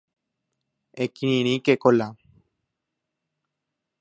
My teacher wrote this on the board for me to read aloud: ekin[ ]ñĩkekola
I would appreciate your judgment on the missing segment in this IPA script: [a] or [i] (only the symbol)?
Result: i